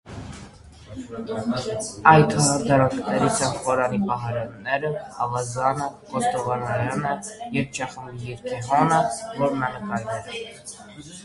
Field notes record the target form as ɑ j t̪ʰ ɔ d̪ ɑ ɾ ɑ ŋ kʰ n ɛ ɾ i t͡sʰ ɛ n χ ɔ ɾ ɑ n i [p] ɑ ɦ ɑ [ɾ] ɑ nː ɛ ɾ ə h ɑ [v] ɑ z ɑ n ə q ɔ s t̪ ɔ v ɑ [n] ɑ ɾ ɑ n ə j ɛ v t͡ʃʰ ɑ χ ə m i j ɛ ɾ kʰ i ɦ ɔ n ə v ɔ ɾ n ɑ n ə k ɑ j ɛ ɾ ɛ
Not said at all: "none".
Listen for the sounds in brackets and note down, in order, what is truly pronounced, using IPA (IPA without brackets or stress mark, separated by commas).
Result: p, ɾ, v, n